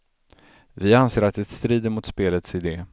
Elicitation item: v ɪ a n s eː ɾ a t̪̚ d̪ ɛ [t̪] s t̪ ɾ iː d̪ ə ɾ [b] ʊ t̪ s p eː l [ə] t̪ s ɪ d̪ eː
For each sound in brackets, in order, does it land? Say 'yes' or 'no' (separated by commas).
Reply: yes, no, yes